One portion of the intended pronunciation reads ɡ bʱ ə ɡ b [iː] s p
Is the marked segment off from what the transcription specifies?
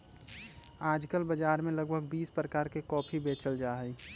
no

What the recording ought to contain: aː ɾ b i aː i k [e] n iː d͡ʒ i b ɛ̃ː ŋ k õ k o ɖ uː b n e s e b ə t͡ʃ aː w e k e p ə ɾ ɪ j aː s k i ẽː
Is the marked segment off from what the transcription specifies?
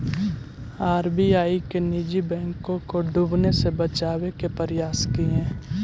no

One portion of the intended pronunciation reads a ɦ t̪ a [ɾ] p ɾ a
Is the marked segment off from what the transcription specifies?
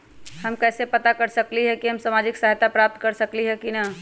yes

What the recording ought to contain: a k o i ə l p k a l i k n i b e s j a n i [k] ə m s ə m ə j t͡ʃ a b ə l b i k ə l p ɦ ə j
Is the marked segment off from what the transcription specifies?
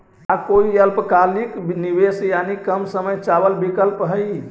no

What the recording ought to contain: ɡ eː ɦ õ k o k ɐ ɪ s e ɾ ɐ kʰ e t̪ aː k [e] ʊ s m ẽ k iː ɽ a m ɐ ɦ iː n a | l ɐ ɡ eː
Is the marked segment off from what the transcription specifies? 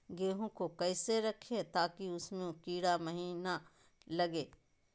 yes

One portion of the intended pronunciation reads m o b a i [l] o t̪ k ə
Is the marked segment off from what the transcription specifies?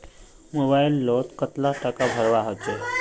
yes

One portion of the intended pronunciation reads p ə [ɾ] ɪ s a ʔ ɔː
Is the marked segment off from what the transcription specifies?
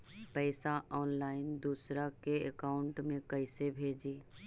yes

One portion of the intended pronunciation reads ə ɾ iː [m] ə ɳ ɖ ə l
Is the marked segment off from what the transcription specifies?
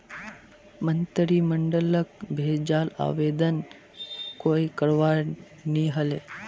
no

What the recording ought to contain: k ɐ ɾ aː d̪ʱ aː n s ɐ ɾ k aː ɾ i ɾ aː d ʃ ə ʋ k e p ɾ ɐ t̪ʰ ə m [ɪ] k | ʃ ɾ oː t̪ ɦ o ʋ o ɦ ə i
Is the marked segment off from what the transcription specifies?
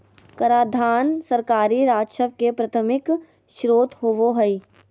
no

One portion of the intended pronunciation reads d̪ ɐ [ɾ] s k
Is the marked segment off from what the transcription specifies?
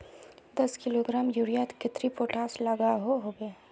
yes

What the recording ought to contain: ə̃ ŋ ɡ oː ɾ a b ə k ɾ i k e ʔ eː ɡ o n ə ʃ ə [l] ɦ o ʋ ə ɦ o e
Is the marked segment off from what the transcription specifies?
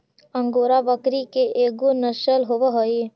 no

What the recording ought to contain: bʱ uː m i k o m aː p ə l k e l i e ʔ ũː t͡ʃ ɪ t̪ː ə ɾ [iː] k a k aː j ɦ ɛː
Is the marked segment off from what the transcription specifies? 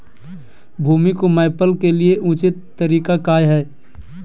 no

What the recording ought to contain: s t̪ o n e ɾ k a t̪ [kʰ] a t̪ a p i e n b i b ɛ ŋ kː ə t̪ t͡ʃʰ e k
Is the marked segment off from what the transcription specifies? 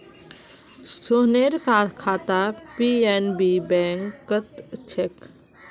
no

